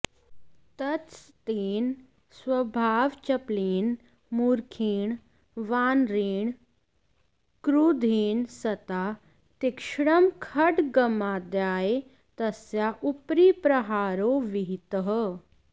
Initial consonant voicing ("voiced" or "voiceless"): voiceless